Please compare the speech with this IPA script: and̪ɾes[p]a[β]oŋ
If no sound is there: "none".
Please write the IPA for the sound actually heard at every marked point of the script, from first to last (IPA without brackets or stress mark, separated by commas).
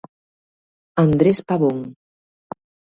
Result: p, β